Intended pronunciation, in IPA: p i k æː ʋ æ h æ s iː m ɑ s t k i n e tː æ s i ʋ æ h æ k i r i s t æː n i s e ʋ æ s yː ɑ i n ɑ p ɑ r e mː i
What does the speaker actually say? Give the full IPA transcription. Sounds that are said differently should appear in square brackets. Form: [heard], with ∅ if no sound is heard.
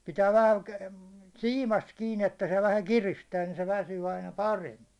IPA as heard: p i [t] æː ʋ æ h æ s iː m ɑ s t k [iː] n e tː æ s [e] ʋ æ h æ k i r i s t æː n i s e ʋ æ s yː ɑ i n ɑ p ɑ r e mː i